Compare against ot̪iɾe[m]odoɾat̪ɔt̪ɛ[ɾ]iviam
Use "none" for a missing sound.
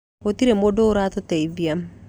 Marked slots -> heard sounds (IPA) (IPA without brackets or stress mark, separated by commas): m, none